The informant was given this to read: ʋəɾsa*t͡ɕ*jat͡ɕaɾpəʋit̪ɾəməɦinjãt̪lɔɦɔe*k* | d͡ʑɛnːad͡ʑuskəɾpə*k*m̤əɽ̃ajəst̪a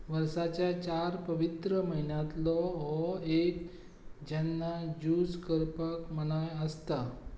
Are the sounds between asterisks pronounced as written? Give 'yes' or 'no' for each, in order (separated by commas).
yes, yes, yes